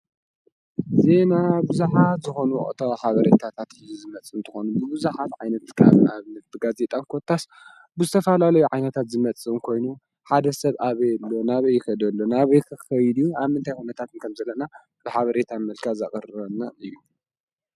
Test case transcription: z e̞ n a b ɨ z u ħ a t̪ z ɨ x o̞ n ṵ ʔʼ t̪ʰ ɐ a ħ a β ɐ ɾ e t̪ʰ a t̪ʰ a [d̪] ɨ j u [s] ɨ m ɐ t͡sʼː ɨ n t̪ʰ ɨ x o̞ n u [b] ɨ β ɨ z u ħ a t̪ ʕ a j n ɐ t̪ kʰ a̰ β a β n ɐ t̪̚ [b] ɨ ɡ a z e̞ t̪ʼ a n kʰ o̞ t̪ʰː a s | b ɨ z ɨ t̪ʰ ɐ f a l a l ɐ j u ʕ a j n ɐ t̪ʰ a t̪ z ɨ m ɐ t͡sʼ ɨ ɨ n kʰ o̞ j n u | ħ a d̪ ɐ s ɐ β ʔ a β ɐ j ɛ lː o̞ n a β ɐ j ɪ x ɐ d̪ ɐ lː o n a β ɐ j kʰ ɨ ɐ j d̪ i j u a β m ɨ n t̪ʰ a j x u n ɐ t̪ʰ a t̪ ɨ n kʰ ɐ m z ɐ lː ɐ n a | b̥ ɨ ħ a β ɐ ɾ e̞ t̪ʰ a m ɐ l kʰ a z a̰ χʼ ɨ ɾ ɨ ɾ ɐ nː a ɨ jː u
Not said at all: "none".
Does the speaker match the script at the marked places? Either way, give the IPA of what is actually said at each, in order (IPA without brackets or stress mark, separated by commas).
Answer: t̪, z, b, b